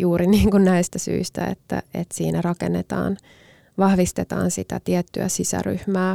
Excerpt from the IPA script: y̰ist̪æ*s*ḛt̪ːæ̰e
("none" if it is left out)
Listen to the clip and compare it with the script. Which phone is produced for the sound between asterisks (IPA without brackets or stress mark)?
none